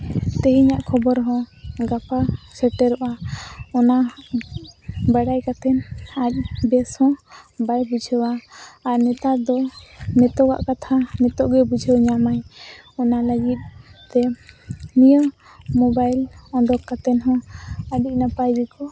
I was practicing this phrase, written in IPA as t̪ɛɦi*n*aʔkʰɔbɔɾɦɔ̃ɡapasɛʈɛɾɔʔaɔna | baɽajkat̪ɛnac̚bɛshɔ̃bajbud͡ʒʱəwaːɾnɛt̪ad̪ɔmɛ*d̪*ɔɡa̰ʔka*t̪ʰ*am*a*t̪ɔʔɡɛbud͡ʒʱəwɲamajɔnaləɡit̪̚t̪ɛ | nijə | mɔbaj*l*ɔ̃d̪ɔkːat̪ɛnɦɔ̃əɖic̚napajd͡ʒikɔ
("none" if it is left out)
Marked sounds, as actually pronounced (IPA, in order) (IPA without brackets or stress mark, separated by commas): ɲ, t̪, t̪ʰ, ɛ, l